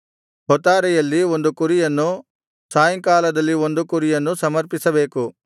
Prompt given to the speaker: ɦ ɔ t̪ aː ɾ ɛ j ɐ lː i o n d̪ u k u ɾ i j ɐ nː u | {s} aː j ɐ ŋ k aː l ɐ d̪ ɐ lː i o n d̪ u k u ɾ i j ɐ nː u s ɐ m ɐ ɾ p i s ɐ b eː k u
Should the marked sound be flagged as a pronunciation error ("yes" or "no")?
no